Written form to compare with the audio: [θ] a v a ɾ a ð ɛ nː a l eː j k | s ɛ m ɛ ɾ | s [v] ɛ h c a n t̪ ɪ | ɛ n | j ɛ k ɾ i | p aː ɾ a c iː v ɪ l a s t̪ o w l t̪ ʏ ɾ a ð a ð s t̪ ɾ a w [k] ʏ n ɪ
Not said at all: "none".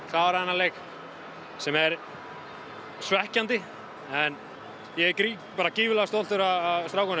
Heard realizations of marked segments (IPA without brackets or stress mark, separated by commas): θ, v, k